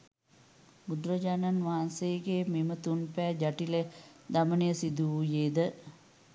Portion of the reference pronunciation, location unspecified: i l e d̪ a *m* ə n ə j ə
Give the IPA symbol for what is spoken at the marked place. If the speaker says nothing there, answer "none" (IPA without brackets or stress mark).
m